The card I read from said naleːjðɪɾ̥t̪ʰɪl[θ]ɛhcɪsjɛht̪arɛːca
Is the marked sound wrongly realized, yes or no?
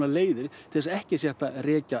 yes